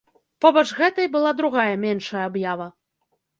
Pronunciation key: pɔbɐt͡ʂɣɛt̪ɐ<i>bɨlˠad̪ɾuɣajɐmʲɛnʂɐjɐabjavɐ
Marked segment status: incorrect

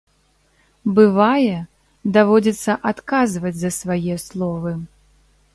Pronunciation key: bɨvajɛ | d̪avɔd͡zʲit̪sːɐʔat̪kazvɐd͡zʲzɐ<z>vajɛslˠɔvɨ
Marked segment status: incorrect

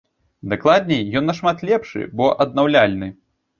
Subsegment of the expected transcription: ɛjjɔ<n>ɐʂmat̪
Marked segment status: incorrect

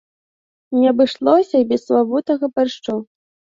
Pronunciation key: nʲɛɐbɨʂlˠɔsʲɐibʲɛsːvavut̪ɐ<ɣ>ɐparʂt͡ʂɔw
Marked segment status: correct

